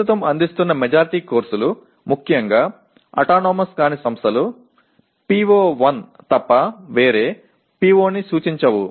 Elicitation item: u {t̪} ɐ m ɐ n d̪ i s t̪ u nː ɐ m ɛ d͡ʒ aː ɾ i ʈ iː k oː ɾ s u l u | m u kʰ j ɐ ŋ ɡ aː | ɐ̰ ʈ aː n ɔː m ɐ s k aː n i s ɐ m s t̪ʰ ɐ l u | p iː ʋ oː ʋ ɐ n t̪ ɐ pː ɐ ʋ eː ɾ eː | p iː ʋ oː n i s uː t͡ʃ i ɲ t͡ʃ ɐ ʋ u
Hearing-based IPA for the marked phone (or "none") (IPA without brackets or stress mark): t̪